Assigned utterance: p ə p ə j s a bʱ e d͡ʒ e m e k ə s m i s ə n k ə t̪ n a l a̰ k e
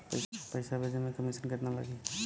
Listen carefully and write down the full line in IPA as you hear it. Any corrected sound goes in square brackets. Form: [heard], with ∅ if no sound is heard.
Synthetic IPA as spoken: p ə p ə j s a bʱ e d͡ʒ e m e k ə [∅] m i s ə n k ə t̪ n a l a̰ [ɡ] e